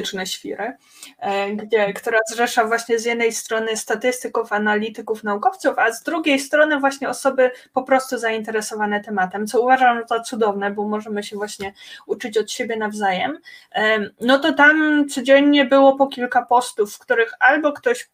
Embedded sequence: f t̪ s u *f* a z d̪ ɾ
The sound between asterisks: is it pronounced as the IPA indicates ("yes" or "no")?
yes